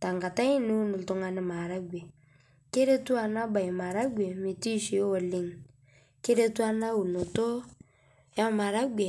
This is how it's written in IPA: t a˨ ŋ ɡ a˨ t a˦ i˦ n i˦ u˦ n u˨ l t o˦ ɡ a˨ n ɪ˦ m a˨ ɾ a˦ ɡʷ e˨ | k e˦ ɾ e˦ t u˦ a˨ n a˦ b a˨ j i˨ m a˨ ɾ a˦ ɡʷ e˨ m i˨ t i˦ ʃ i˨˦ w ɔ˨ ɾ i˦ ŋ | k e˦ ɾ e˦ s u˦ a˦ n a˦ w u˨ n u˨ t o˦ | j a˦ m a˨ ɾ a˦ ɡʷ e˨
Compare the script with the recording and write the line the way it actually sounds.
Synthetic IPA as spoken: t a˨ ŋ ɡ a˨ t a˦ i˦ n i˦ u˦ n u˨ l t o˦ ŋ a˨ n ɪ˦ m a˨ ɾ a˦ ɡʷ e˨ | k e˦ ɾ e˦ t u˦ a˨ n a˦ b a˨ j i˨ m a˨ ɾ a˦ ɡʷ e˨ m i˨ t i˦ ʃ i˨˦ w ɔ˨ l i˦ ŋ | k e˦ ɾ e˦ t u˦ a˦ n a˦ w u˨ n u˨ t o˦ | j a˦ m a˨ ɾ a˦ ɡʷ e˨